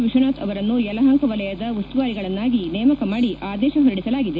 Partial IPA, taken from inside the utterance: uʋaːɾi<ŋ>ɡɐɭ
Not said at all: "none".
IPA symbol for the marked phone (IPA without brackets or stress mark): none